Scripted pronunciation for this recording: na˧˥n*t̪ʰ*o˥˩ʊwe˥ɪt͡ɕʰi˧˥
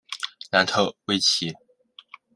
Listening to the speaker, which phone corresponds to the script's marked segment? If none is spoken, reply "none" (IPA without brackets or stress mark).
t̪ʰ